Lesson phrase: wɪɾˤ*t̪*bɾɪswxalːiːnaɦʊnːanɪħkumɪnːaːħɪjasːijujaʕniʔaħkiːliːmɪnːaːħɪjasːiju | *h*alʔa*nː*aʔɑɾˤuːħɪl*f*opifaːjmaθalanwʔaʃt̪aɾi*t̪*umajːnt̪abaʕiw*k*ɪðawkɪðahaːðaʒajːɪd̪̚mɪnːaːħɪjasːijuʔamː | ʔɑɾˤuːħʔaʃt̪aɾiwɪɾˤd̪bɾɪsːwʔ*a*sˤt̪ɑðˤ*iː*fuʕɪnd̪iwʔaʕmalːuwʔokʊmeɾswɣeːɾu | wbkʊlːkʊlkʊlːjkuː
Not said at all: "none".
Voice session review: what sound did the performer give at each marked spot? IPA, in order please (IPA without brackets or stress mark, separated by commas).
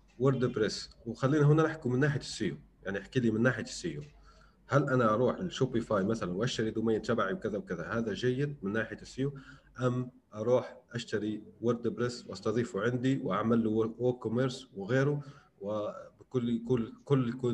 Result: d̪, h, n, ʃ, d̪, k, ɑ, iː